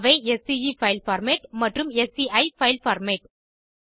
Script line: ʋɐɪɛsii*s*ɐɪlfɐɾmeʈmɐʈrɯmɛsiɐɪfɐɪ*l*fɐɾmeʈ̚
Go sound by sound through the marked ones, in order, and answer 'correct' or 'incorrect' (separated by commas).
incorrect, correct